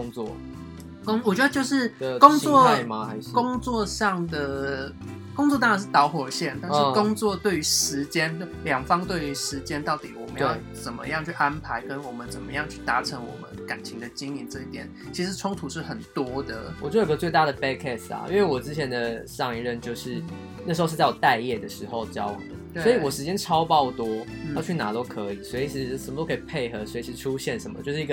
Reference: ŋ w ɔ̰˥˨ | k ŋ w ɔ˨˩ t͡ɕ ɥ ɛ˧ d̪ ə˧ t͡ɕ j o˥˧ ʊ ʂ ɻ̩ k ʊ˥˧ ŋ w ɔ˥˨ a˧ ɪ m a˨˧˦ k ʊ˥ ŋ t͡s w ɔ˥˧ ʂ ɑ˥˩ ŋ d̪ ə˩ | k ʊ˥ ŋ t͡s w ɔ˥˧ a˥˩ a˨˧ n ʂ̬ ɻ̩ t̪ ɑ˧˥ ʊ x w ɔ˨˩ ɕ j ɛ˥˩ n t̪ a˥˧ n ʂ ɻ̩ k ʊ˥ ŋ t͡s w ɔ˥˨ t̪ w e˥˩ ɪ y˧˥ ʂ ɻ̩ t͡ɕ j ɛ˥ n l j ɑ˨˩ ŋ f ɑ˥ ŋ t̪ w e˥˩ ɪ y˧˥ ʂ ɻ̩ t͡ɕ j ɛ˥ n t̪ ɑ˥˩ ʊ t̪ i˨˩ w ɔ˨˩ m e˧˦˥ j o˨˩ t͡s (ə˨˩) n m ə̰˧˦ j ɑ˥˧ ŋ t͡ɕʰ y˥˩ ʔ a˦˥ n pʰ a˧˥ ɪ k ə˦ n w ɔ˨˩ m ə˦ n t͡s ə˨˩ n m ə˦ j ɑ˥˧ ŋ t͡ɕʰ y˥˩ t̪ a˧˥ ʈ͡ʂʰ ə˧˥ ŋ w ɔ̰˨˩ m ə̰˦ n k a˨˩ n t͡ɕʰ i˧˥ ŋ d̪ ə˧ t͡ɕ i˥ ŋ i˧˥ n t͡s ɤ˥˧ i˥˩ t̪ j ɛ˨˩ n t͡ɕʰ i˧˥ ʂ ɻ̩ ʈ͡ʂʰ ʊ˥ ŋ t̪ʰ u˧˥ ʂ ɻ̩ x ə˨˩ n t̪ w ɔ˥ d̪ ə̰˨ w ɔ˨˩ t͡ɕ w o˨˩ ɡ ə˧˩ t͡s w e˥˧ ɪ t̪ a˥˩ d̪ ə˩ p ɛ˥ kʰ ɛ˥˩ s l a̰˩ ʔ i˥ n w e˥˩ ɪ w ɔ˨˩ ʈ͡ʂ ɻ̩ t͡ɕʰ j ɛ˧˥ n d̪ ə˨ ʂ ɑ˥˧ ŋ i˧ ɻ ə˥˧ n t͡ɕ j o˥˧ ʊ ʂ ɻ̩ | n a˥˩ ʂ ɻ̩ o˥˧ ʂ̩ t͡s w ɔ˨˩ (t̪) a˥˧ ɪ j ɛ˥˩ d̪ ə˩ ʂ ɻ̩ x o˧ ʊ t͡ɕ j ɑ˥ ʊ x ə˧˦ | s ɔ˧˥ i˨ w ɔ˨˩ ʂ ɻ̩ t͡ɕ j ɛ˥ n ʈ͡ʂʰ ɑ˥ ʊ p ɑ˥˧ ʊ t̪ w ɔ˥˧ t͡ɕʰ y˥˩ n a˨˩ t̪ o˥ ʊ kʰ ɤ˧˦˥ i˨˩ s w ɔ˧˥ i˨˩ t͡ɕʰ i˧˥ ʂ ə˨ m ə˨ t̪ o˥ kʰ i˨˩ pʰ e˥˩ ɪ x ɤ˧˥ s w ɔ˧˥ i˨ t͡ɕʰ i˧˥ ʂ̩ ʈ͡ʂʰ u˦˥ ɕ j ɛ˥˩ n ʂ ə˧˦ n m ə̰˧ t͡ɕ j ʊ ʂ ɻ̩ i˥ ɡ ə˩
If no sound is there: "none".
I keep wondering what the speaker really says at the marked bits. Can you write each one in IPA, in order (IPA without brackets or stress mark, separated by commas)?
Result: ə˨˩, t̪